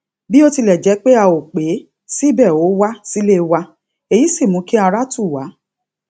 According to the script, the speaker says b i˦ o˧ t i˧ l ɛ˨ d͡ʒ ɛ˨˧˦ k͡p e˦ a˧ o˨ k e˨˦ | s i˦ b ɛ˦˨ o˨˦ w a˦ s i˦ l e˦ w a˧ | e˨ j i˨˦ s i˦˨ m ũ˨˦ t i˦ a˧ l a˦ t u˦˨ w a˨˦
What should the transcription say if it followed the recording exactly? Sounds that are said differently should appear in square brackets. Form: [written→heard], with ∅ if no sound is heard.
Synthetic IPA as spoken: b i˦ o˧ t i˧ l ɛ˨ d͡ʒ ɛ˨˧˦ k͡p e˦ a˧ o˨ [k→k͡p] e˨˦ | s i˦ b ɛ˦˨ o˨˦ w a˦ s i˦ l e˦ w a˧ | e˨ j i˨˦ s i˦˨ m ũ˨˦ [t→k] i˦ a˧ [l→ɾ] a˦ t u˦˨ w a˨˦